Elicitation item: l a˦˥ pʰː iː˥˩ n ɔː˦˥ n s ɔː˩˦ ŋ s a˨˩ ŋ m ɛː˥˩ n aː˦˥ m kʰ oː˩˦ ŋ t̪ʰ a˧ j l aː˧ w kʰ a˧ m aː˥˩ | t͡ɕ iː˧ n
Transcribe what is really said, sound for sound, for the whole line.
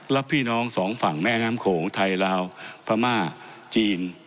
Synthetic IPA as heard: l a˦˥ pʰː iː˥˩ n ɔː˦˥ ŋ s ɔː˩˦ ŋ f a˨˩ ŋ m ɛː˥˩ n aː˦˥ m kʰ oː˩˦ ŋ t̪ʰ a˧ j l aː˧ w pʰ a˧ m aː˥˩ | t͡ɕ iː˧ n